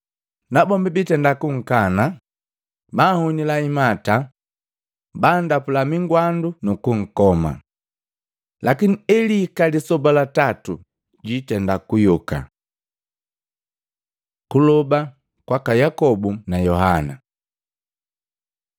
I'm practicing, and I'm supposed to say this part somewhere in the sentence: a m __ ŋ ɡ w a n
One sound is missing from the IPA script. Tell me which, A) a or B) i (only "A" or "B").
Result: B